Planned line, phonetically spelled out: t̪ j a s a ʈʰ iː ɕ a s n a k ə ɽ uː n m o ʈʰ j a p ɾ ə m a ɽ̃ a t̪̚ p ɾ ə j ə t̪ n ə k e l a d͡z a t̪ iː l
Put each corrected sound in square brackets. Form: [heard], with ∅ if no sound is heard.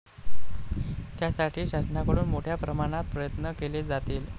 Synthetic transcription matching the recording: t̪ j a s a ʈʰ iː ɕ a s n a k ə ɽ uː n m o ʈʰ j a p ɾ ə m a ɽ̃ a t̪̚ p ɾ ə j ə t̪ n ə k e l [e] d͡z a t̪ iː l